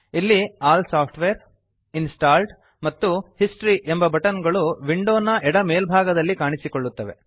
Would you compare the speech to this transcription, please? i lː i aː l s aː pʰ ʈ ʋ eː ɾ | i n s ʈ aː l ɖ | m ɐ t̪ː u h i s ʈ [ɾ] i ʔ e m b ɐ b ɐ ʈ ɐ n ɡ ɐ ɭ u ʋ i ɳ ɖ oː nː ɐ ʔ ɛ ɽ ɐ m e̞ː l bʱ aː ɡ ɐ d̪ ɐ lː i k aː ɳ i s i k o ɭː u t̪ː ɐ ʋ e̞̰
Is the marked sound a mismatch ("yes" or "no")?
no